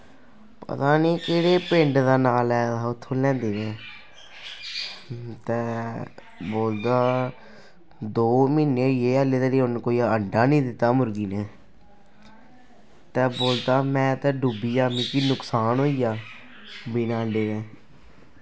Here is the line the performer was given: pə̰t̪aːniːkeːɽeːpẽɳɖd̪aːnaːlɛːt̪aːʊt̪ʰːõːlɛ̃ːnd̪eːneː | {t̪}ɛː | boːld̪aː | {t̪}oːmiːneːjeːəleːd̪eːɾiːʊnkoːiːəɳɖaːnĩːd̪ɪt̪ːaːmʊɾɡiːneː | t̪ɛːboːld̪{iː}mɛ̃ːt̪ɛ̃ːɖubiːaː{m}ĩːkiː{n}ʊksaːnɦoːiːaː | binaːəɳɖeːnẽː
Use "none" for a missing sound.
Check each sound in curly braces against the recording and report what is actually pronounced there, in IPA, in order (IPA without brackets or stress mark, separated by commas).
t̪, d̪, aː, m, n